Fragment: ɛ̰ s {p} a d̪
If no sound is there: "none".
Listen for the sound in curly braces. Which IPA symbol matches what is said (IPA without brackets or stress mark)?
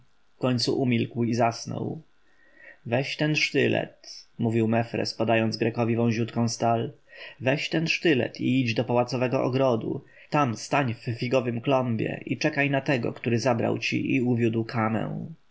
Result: p